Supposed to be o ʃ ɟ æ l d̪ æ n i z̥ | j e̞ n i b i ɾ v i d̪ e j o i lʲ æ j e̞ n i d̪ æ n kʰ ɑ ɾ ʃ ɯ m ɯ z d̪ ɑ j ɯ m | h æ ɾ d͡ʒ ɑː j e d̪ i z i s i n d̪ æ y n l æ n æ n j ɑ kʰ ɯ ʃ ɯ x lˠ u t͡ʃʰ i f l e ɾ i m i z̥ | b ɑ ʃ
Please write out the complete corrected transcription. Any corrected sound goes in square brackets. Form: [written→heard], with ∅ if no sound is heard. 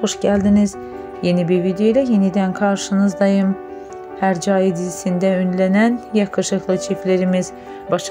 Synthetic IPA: o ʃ ɟ æ l d̪ [æ→i] n i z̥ | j e̞ n i b i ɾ v i d̪ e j o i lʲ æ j e̞ n i d̪ æ n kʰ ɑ ɾ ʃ ɯ [m→n] ɯ z d̪ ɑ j ɯ m | h æ ɾ d͡ʒ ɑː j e d̪ i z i s i n d̪ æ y n l æ n æ n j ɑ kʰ ɯ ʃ ɯ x lˠ [u→ɯ] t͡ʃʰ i f l e ɾ i m i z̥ | b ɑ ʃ